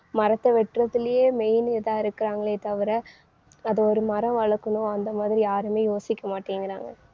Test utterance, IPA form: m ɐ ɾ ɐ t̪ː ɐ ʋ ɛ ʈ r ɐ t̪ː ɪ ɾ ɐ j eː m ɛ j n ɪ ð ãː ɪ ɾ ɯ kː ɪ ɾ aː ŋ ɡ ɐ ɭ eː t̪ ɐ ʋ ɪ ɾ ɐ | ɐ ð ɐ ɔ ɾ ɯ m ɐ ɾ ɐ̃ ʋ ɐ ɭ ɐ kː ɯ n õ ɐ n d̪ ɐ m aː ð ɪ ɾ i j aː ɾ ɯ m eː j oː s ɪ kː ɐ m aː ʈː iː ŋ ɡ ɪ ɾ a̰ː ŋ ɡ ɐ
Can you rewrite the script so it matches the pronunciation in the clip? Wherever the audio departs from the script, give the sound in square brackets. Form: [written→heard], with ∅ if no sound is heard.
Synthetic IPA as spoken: m ɐ ɾ ɐ t̪ː ɐ ʋ ɛ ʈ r ɐ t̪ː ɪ [ɾ→l] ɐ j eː m ɛ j n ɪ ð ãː ɪ ɾ ɯ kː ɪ ɾ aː ŋ ɡ ɐ ɭ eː t̪ ɐ ʋ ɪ ɾ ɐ | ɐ ð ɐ ɔ ɾ ɯ m ɐ ɾ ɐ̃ ʋ ɐ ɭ ɐ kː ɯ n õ ɐ n d̪ ɐ m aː ð ɪ ɾ i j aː ɾ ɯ m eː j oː s ɪ kː ɐ m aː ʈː iː ŋ ɡ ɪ ɾ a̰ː ŋ ɡ ɐ